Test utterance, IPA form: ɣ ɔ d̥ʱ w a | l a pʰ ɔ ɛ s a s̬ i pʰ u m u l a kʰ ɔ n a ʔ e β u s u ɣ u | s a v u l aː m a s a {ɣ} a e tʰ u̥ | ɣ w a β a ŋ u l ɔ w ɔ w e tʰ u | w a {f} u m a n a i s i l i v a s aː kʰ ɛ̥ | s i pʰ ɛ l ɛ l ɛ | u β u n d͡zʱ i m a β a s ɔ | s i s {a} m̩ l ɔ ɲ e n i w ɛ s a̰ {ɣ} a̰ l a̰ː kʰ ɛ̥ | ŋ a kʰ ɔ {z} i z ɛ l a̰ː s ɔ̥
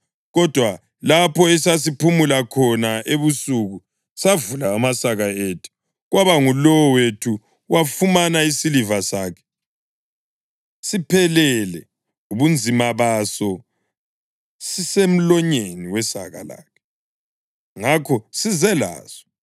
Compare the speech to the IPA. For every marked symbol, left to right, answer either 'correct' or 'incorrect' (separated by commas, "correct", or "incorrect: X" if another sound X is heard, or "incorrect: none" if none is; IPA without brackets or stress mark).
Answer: correct, correct, incorrect: e, correct, incorrect: s